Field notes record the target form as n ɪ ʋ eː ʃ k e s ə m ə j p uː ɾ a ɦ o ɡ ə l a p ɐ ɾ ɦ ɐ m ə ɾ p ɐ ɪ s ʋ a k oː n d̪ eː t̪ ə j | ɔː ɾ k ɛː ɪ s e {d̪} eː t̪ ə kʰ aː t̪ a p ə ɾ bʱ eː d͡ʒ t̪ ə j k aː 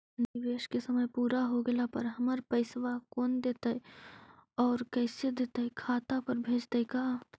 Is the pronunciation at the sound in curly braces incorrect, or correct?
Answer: correct